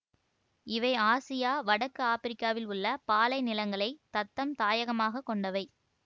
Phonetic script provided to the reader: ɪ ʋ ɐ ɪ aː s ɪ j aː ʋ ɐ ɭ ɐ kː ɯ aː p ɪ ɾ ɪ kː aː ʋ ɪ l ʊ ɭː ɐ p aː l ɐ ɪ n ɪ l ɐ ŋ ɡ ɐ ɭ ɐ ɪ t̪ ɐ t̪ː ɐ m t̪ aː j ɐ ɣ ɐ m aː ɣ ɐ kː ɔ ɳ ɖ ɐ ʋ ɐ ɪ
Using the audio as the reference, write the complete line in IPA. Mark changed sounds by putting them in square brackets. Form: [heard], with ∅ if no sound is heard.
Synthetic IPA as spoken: ɪ ʋ ɐ ɪ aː s ɪ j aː ʋ ɐ [ɽ] ɐ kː ɯ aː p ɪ ɾ ɪ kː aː ʋ ɪ l ʊ ɭː ɐ p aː l ɐ ɪ n ɪ l ɐ ŋ ɡ ɐ ɭ ɐ ɪ t̪ ɐ t̪ː ɐ m t̪ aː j ɐ ɣ ɐ m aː ɣ ɐ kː ɔ ɳ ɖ ɐ ʋ ɐ ɪ